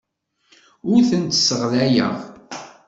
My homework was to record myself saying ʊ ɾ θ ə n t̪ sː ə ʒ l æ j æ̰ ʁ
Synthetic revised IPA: ʊ ɾ θ ə n t̪ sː ə ʁ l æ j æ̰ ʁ